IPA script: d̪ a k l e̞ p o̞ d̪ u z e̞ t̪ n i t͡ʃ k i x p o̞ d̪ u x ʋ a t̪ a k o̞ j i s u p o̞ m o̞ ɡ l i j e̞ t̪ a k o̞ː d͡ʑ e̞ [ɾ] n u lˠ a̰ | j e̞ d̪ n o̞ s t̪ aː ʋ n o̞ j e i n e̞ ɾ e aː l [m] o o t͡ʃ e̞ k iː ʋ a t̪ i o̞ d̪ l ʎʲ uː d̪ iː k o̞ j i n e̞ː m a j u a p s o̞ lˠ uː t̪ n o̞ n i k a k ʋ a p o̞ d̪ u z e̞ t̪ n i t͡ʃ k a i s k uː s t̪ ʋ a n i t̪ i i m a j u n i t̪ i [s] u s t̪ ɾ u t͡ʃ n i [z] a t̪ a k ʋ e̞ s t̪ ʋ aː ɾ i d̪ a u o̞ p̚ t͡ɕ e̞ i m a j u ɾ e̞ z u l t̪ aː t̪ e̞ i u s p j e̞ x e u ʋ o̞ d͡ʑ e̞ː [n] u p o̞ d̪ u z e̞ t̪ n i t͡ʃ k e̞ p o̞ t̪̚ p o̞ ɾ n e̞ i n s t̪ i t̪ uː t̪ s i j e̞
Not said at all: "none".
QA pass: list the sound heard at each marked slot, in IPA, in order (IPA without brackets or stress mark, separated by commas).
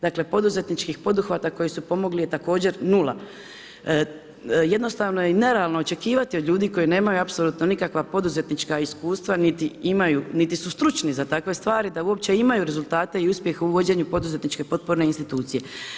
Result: ɾ, n, s, z, ɲ